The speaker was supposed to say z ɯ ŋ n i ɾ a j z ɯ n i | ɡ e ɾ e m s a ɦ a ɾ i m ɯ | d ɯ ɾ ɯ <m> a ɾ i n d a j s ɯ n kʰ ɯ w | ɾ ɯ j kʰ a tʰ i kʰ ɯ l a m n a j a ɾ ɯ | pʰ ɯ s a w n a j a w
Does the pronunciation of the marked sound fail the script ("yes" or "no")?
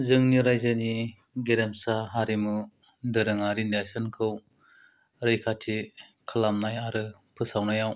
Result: yes